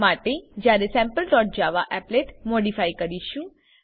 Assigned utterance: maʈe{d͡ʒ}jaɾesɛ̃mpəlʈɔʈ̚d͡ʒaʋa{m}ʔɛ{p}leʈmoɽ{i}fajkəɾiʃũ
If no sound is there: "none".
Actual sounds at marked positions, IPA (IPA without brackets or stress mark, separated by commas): d͡ʒ, none, p, i